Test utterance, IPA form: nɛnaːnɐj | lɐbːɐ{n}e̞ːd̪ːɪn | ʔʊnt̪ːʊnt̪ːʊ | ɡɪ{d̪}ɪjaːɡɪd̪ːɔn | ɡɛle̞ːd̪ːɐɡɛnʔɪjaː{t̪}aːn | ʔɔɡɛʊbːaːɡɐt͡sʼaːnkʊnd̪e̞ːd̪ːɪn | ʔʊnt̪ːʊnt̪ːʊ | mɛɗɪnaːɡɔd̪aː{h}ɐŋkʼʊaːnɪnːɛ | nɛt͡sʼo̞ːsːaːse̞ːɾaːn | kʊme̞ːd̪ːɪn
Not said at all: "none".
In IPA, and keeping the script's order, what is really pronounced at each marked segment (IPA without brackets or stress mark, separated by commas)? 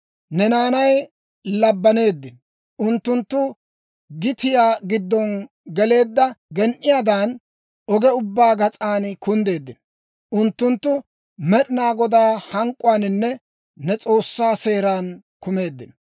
n, t̪, d̪, h